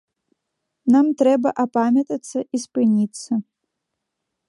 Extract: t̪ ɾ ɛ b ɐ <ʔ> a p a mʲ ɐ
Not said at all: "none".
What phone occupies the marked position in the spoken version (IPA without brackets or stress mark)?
ʔ